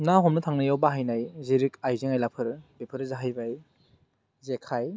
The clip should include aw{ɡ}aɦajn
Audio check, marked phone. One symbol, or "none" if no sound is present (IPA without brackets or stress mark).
b